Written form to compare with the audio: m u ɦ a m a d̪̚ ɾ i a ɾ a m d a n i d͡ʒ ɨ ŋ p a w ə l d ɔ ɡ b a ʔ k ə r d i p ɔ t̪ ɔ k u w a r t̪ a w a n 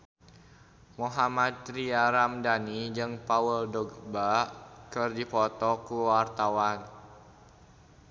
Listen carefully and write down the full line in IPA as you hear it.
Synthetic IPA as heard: m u ɦ a m a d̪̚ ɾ i a ɾ a m d a n i d͡ʒ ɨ ŋ p a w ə l d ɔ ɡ b a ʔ k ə r d i p ɔ t̪ ɔ k u w a r t̪ a w a n